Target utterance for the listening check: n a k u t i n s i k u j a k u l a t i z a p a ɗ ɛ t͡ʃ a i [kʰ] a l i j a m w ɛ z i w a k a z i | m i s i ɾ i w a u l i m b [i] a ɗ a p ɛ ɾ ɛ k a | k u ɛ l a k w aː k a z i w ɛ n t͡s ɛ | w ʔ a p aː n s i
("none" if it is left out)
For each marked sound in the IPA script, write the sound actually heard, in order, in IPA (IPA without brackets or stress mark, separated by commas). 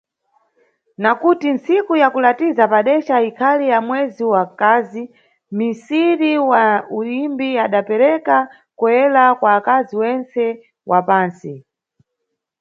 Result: kʰ, i